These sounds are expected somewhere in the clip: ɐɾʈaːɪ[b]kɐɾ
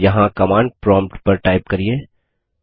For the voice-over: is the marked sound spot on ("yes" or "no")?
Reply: no